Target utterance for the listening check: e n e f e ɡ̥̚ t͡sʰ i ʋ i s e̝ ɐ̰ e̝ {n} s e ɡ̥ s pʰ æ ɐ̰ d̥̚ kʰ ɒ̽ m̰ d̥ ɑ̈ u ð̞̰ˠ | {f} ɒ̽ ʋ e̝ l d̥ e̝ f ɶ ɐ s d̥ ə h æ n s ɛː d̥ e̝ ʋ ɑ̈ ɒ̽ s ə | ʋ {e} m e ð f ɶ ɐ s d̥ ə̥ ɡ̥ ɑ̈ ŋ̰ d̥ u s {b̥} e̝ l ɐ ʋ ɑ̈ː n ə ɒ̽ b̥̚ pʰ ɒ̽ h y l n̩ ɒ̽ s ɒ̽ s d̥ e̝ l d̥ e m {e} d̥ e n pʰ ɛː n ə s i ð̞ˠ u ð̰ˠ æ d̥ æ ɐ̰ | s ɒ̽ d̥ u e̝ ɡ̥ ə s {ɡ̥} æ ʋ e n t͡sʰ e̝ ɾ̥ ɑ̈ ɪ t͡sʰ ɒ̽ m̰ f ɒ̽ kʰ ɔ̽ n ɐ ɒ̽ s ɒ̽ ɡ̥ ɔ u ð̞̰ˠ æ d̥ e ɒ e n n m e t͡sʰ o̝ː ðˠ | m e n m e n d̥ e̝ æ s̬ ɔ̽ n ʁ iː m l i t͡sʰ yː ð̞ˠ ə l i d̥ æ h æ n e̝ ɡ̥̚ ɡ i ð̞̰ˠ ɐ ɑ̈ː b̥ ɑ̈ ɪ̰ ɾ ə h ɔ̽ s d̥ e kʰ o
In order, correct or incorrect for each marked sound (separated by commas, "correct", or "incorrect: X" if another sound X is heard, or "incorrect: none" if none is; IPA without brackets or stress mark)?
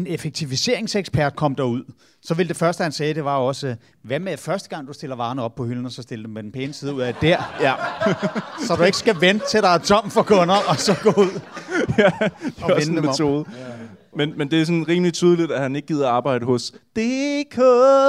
incorrect: ŋ, incorrect: s, incorrect: æ, incorrect: d̥, correct, correct